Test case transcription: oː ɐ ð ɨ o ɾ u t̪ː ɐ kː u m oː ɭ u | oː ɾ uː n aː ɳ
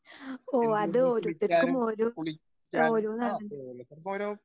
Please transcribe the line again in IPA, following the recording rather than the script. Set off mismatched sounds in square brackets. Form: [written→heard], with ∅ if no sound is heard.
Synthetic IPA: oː ɐ ð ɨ o ɾ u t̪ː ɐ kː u m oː [ɭ→ɾ] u | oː ɾ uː n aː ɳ

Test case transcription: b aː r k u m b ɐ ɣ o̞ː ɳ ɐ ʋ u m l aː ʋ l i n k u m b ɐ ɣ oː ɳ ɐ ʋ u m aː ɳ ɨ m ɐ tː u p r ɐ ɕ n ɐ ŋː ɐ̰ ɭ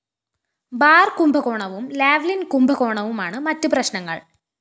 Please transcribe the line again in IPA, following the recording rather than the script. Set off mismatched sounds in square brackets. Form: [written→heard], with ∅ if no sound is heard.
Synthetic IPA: b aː r k u m b ɐ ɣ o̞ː ɳ ɐ ʋ u m l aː ʋ l i n k u m b ɐ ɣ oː ɳ ɐ ʋ u m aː ɳ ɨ m ɐ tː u p r ɐ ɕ n ɐ ŋː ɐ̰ ɭ

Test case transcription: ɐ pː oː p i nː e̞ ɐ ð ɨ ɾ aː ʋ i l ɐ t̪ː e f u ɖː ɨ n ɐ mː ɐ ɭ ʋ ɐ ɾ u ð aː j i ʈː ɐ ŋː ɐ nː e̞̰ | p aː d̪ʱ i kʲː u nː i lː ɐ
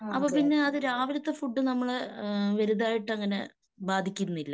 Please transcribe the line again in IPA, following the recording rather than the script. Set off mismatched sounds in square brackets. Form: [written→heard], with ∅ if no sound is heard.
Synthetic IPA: ɐ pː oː p i nː e̞ ɐ ð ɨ ɾ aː ʋ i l ɐ t̪ː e f u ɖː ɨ n ɐ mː ɐ ɭ ʋ ɐ ɾ u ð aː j i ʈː ɐ ŋː ɐ [nː→n] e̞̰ | [p→b] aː d̪ʱ i kʲː u nː i lː ɐ

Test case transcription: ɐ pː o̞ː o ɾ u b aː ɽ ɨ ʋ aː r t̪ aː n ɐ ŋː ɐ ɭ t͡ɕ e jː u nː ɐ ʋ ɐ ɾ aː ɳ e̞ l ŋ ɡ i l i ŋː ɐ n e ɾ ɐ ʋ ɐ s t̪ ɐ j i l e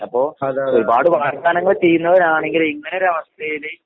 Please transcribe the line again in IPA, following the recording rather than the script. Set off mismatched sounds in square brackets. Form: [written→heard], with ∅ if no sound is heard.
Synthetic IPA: ɐ pː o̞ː o ɾ u b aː ɽ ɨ ʋ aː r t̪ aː n ɐ ŋː ɐ ɭ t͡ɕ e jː u nː ɐ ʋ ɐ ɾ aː ɳ e̞ [l→∅] ŋ ɡ i l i ŋː ɐ n e ɾ ɐ ʋ ɐ s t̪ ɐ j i l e

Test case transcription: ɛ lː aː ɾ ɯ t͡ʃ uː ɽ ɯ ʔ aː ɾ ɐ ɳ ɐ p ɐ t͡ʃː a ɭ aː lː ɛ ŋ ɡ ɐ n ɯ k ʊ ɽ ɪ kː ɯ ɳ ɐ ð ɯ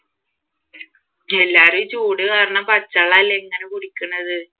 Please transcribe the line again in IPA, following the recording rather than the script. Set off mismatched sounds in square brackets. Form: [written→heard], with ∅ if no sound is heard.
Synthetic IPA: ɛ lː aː ɾ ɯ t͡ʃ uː ɽ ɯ [ʔ→k] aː ɾ ɐ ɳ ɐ p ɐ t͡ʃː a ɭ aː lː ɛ ŋ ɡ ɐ n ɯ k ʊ ɽ ɪ kː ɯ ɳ ɐ ð ɯ

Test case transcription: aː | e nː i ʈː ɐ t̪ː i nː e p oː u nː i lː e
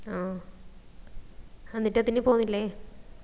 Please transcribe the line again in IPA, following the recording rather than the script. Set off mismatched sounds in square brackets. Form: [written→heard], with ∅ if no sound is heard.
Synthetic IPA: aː | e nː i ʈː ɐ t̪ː i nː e p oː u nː i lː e

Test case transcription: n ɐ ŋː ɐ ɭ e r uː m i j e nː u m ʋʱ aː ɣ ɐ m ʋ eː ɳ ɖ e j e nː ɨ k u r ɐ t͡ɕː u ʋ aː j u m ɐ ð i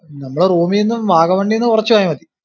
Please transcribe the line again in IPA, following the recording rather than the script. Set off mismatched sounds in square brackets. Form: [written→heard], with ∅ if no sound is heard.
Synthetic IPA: n ɐ [ŋː→mː] ɐ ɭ e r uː m i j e nː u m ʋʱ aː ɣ ɐ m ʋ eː ɳ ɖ [e→i] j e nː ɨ k u r ɐ t͡ɕː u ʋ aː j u m ɐ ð i

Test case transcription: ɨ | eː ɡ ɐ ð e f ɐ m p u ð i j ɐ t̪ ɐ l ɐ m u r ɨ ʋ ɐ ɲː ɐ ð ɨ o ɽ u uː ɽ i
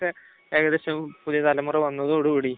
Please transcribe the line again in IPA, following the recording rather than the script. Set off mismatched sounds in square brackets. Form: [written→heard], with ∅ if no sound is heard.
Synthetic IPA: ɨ | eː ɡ ɐ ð e [f→ɕ] ɐ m p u ð i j ɐ t̪ ɐ l ɐ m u r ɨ ʋ ɐ [ɲː→nː] ɐ ð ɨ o ɽ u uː ɽ i

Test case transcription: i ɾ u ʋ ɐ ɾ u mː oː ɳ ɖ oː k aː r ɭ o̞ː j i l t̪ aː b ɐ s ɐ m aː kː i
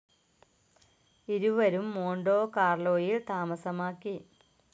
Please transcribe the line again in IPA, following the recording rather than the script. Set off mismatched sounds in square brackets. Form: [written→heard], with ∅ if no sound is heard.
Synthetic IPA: i ɾ u ʋ ɐ ɾ u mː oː ɳ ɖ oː k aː r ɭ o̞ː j i l t̪ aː [b→m] ɐ s ɐ m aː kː i

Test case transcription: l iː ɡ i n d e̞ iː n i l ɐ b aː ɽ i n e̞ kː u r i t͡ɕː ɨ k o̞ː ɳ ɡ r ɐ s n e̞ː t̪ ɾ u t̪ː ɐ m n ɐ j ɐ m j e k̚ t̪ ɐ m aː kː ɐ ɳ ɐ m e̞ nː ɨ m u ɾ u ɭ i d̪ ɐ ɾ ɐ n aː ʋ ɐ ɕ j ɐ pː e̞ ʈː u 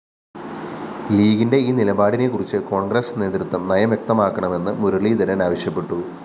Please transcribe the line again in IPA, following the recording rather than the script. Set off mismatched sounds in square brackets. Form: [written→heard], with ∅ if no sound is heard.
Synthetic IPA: l iː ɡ i n d e̞ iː n i l ɐ b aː ɽ i n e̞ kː u r i t͡ɕː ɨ k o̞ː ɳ ɡ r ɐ s n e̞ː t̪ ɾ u t̪ː ɐ m n ɐ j ɐ m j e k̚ t̪ ɐ m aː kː ɐ ɳ ɐ m e̞ nː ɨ m u ɾ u ɭ i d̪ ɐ ɾ ɐ n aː ʋ ɐ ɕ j ɐ pː e̞ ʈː u

